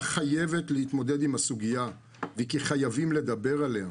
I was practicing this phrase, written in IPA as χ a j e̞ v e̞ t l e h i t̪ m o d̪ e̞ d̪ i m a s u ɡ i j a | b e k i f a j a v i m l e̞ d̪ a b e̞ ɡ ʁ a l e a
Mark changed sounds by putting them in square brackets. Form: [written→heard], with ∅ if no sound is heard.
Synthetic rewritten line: χ a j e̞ v e̞ t l e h i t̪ m o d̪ e̞ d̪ i m a s u ɡ i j a | [b→v] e k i [f→χ] a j a v i m l e̞ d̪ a b e̞ [ɡ→∅] ʁ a l e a